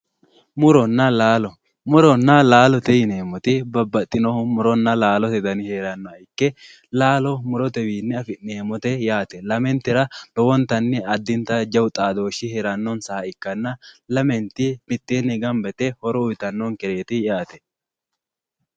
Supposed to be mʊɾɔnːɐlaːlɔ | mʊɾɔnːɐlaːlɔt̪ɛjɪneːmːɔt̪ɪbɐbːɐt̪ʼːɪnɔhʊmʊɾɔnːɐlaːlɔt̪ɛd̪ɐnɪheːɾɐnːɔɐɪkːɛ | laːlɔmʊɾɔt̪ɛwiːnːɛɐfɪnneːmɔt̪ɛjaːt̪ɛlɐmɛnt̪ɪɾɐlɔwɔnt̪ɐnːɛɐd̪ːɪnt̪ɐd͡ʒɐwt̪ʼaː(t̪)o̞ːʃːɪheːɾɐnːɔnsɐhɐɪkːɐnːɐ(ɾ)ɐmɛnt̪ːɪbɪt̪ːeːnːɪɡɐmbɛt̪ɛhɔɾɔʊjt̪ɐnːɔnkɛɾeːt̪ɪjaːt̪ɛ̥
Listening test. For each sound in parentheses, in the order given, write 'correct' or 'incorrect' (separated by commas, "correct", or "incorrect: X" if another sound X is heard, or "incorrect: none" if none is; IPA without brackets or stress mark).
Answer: incorrect: d̪, incorrect: l